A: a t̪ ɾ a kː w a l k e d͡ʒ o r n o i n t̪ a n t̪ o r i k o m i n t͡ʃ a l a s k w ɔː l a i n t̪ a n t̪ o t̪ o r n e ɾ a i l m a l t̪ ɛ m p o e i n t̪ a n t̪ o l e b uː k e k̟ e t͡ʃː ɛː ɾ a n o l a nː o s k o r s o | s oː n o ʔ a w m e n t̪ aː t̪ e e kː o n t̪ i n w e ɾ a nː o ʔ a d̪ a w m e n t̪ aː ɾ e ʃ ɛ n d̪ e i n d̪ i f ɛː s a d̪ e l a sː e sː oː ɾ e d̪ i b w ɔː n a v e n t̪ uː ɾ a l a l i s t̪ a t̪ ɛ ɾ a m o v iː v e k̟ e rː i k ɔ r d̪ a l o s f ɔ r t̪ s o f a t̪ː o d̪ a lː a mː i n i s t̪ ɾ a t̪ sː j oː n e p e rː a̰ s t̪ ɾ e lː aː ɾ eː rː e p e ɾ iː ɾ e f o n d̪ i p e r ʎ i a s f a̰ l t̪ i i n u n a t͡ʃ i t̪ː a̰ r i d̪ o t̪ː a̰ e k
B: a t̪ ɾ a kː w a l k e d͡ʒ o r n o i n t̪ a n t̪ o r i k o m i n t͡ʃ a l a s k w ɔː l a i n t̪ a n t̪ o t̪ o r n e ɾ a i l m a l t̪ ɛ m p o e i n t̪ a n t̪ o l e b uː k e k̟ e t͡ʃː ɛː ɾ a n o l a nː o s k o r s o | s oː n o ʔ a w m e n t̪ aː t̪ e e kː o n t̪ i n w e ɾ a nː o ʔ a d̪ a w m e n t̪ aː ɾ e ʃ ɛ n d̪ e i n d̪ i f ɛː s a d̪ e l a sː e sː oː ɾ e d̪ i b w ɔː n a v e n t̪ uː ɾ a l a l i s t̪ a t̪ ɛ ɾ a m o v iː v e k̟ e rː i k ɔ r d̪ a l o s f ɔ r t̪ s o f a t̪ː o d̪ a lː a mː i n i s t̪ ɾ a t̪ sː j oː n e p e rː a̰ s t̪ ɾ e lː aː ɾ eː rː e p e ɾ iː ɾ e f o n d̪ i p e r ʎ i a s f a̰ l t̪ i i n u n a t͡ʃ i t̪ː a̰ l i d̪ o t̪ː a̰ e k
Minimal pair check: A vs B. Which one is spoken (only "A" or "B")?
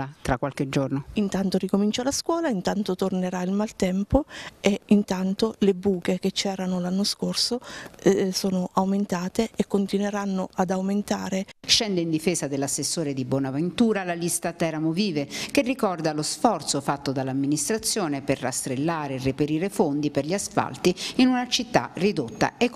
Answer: A